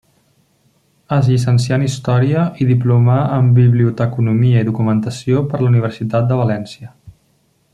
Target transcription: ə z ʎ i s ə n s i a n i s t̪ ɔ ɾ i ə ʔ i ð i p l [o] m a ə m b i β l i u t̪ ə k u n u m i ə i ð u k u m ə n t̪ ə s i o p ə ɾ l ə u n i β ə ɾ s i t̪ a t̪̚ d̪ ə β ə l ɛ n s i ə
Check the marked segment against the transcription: incorrect: u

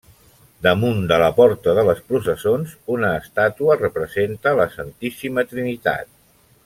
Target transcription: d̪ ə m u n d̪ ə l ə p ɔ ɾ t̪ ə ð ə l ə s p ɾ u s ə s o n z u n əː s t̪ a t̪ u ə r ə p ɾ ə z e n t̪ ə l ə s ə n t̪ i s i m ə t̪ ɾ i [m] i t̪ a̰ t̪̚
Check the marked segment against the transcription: incorrect: n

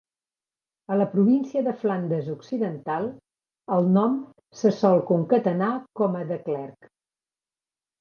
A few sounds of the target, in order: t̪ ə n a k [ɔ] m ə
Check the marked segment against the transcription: correct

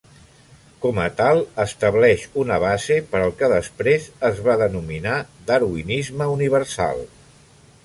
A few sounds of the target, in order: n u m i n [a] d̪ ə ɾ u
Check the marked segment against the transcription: correct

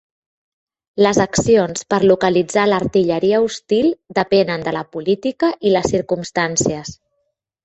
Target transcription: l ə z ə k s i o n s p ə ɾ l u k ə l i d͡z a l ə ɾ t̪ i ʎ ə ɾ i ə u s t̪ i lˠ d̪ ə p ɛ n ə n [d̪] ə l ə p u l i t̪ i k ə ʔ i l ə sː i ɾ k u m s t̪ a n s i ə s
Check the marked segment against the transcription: correct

